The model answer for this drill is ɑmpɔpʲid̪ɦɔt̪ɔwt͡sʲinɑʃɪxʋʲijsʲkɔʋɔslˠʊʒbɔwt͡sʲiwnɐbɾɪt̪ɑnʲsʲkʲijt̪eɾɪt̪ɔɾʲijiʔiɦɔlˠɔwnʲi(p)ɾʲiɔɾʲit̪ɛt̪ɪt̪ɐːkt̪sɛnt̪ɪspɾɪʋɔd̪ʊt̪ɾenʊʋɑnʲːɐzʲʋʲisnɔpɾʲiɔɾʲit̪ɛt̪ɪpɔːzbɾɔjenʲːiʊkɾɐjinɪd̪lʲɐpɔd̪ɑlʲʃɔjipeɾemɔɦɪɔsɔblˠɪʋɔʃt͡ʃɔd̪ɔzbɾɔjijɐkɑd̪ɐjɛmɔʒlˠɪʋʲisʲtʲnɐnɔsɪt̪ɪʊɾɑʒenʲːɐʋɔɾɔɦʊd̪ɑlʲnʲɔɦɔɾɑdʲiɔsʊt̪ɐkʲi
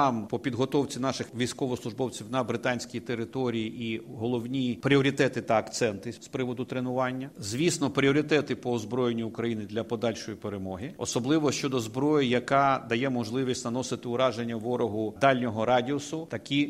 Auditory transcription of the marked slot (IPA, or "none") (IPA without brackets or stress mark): p